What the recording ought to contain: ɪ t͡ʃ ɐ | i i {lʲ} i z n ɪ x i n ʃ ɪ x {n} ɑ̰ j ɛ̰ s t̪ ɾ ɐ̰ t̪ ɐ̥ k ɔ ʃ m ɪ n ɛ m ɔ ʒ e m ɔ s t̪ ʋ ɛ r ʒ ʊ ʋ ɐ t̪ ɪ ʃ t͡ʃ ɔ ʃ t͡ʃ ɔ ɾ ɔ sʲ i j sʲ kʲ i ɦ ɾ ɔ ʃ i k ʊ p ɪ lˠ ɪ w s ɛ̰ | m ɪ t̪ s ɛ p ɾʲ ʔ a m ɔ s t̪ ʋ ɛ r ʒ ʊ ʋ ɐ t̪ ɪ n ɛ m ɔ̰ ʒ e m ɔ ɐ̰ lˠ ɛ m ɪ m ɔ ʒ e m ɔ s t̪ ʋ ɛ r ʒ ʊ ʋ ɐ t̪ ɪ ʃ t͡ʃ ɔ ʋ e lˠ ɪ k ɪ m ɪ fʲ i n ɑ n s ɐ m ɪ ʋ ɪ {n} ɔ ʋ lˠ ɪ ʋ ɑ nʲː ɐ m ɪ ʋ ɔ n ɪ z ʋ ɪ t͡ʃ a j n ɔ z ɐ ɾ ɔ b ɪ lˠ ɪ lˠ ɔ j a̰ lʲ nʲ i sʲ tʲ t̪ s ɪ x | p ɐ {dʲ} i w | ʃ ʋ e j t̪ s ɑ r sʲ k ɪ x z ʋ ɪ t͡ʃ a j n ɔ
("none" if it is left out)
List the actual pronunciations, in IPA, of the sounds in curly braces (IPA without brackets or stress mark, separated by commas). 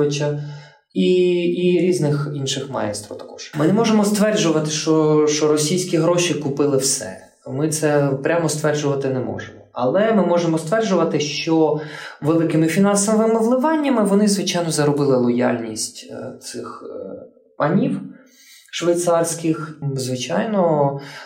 ɾʲ, m, m, nʲ